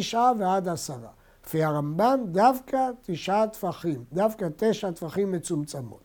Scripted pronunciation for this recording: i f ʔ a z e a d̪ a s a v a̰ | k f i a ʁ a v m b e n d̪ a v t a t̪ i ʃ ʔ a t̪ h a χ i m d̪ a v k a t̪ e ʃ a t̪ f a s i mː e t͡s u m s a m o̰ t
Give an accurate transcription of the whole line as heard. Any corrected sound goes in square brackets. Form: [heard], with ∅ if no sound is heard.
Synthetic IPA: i [ʃ] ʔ a [v] e a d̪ a s a [ʁ] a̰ | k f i a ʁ a [∅] m b [a] n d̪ a v [k] a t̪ i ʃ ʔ a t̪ [f] a χ i m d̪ a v k a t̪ e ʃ a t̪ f a [χ] i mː e t͡s u m [t͡s] a m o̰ t